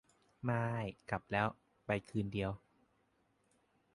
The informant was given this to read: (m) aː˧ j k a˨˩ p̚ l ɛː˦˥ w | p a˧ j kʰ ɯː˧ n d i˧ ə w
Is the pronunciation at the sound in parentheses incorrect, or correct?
correct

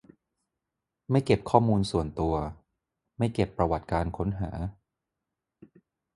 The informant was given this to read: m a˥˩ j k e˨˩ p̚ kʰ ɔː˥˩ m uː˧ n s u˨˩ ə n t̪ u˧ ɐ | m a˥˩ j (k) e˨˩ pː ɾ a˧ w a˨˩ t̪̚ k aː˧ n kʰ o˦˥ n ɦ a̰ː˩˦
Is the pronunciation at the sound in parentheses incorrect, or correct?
correct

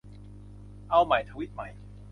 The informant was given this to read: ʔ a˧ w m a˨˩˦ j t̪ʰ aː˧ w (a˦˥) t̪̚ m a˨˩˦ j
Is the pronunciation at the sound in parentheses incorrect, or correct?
incorrect: i˦˥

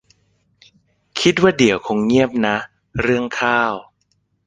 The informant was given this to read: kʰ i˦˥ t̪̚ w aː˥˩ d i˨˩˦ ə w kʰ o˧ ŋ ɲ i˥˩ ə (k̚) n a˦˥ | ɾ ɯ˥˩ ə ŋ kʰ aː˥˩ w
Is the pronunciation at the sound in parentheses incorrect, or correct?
incorrect: p̚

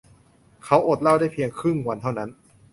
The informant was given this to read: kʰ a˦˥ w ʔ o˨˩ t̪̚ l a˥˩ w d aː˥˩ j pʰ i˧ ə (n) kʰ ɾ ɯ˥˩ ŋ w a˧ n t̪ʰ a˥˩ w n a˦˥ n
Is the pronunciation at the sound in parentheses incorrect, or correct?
incorrect: ŋ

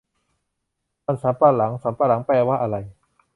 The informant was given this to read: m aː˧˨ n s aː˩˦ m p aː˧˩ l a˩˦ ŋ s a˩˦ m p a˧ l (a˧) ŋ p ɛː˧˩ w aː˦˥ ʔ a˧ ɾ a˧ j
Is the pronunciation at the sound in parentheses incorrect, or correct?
incorrect: a˩˦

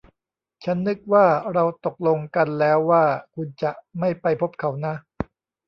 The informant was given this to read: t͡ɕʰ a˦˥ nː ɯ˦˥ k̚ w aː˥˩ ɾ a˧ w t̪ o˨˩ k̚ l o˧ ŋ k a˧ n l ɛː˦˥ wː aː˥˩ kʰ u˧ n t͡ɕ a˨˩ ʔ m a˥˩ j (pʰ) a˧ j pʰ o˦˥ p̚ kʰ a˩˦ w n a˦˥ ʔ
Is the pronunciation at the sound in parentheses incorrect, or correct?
incorrect: p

